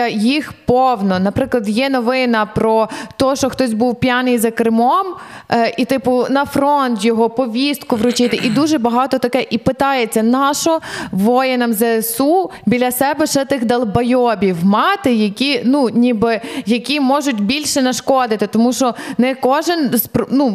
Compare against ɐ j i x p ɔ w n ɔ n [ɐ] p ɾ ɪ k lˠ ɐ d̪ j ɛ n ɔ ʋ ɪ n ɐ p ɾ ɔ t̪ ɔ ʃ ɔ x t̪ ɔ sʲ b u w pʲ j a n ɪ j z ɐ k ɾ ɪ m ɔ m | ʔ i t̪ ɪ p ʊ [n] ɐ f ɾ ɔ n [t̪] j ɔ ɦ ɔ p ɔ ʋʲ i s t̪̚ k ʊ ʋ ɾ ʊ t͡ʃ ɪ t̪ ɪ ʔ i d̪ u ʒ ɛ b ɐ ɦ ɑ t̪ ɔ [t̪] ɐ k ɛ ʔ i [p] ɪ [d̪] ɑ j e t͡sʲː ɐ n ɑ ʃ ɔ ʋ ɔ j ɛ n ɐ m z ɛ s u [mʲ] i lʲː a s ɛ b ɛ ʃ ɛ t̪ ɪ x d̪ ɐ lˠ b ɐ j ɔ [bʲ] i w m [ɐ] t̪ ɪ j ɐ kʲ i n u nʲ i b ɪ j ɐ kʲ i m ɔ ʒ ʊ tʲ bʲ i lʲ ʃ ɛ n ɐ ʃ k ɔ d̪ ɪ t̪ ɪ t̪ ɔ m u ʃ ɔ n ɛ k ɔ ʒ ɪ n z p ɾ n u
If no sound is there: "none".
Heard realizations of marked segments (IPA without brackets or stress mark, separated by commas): ɐ, n, t̪, t̪, p, t̪, bʲ, bʲ, ɑ